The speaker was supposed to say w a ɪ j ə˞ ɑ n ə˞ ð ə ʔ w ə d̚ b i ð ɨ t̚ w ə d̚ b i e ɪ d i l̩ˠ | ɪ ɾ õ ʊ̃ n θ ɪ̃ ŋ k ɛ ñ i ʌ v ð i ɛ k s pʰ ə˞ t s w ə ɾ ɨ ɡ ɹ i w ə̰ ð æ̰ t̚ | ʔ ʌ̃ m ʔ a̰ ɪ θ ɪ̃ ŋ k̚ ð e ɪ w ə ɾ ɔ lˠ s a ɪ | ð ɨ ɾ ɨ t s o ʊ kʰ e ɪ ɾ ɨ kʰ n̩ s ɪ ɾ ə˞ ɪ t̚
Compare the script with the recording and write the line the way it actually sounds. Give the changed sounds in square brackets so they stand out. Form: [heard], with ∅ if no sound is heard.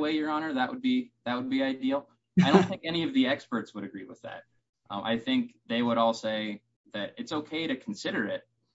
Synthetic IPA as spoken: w [e] ɪ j ə˞ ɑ n ə˞ ð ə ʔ w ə d̚ b i ð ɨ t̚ w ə d̚ b i [a] ɪ d i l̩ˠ | ɪ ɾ õ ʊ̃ n θ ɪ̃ ŋ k ɛ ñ i ʌ v ð i ɛ k s [p] ə˞ t s w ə ɾ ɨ ɡ ɹ i w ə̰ ð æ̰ t̚ | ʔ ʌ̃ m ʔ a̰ ɪ θ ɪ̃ ŋ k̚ ð e ɪ w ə ɾ ɔ lˠ s [e] ɪ | ð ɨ ɾ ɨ t s o ʊ kʰ e ɪ ɾ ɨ kʰ n̩ s ɪ ɾ ə˞ ɪ t̚